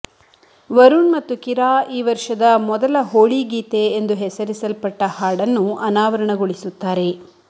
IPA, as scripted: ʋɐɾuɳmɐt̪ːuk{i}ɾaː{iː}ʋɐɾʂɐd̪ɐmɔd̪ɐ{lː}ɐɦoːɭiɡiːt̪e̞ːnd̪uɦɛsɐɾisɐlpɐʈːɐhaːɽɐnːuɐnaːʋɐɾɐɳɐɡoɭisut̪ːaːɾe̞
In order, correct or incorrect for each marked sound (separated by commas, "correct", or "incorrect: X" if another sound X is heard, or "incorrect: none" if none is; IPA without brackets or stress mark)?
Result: correct, correct, incorrect: l